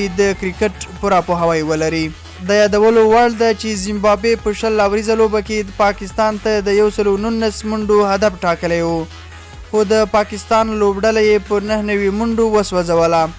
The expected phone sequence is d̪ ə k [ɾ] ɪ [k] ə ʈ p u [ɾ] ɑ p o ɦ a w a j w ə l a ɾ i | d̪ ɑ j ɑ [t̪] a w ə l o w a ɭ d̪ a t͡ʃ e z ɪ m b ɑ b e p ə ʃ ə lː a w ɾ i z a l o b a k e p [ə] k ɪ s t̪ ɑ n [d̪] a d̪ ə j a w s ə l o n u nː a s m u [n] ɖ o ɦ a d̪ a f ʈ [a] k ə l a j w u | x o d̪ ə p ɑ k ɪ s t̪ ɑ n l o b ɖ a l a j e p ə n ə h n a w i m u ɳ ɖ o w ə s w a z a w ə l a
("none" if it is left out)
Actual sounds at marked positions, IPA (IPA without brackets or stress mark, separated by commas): ɾ, k, ɾ, d̪, ɑ, t̪, ɳ, ɑ